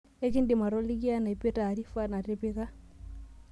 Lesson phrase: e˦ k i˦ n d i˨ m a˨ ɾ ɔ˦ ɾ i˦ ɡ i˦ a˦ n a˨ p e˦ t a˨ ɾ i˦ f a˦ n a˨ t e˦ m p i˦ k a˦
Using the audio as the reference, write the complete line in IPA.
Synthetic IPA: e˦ k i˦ n d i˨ m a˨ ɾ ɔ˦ l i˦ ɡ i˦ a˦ n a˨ p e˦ t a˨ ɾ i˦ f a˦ n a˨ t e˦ p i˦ k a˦